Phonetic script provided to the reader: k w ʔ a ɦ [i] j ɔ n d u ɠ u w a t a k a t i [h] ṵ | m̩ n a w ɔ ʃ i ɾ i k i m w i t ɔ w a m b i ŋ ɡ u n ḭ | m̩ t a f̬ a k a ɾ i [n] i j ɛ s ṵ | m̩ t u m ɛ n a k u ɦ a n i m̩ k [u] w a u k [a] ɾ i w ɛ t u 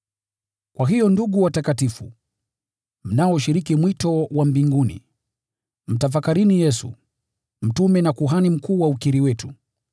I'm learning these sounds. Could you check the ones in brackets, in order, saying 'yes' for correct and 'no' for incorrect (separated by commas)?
yes, no, yes, no, no